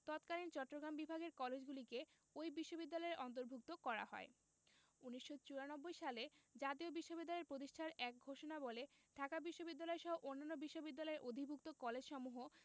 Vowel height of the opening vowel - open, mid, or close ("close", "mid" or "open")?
mid